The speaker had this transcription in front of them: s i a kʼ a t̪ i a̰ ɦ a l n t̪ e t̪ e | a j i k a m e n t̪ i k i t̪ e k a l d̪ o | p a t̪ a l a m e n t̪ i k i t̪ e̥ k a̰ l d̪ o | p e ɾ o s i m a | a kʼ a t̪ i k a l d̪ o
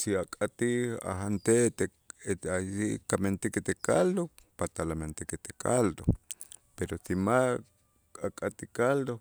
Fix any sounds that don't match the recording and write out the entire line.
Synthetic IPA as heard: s i a kʼ a t̪ i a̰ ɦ a n t̪ e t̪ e | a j i k a m e n t̪ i k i t̪ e k a l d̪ o | p a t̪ a l a m e n t̪ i k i t̪ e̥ k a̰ l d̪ o | p e ɾ o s i m a | a kʼ a t̪ i k a l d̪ o